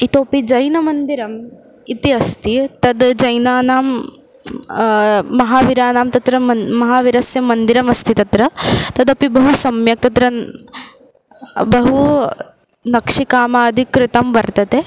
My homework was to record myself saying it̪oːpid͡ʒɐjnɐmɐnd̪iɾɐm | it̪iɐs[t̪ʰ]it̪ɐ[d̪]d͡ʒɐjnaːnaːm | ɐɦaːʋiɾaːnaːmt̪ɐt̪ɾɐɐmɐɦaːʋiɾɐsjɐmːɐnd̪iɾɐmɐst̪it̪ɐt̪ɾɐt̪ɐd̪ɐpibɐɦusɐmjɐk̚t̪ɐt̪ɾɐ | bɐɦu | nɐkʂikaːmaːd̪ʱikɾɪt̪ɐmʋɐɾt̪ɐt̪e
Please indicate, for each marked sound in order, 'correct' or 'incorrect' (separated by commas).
incorrect, correct